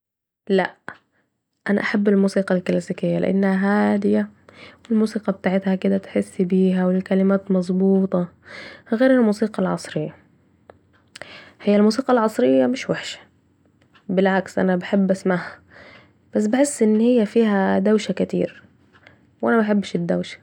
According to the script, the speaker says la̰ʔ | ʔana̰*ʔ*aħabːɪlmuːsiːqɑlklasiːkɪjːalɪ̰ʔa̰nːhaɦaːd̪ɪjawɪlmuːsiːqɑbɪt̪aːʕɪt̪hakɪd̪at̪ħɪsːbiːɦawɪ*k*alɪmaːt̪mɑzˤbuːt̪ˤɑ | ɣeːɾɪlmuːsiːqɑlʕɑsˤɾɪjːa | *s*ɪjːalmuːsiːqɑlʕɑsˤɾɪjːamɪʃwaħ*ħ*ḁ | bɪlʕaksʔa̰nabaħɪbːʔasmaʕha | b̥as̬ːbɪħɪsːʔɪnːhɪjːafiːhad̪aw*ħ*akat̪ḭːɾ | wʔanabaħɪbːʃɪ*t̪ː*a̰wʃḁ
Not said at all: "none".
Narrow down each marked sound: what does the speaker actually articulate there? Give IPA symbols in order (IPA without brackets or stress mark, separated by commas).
ʔ, k, h, ʃ, ʃ, d̪ː